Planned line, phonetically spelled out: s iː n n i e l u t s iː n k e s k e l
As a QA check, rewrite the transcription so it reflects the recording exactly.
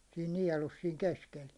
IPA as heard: s iː n n i ɛ l u s s iː ŋ k e s k e l